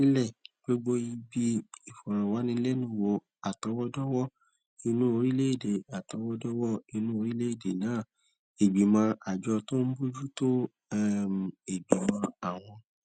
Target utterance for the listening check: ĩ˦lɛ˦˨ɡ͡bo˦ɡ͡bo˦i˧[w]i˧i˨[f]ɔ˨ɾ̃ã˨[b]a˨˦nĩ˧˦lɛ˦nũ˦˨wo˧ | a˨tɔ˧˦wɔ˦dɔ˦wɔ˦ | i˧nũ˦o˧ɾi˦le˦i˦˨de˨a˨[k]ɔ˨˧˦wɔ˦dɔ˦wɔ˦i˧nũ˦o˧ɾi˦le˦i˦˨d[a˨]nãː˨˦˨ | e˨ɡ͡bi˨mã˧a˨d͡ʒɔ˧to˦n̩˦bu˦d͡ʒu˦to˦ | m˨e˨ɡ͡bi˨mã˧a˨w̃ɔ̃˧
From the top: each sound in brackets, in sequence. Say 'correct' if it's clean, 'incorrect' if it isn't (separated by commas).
incorrect, correct, incorrect, incorrect, incorrect